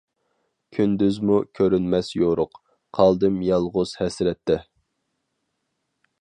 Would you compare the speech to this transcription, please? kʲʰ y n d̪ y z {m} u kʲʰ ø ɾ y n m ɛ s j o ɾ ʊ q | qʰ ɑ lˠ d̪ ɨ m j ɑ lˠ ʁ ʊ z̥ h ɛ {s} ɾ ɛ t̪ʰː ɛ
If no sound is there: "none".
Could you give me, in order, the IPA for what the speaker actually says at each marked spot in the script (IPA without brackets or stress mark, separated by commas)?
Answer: m, s